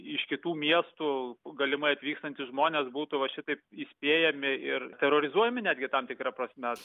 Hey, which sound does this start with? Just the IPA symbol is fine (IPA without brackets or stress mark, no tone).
ɪ